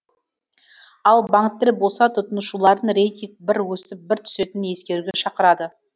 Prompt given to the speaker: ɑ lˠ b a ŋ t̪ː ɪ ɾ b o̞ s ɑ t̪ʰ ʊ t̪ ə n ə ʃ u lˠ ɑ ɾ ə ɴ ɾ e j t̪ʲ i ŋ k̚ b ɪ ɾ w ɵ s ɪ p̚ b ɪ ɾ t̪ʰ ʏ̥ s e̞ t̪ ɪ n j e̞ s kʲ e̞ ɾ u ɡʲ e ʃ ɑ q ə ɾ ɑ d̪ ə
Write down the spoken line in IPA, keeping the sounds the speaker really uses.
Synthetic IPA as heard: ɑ lˠ b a ŋ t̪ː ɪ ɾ b o̞ s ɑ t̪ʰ ʊ t̪ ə n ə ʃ u lˠ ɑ ɾ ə n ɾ e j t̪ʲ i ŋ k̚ b ɪ ɾ w ɵ s ɪ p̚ b ɪ ɾ t̪ʰ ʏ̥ s e̞ t̪ ɪ n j e̞ s kʲ e̞ ɾ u ɡʲ e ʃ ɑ q ə ɾ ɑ d̪ ə